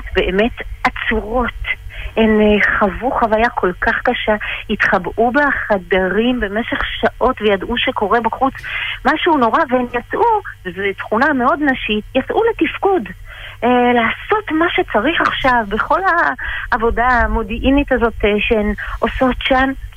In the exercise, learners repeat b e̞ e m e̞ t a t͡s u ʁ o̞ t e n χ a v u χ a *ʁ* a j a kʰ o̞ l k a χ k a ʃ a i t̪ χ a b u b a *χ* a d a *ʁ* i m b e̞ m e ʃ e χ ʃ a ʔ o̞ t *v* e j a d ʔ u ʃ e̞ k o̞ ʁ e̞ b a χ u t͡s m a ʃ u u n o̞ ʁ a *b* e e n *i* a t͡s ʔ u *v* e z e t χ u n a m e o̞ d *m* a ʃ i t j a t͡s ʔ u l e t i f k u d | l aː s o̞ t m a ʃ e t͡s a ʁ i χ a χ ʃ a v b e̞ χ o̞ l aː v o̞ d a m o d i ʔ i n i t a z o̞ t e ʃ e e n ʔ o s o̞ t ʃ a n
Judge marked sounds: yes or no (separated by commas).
no, yes, yes, yes, no, no, yes, no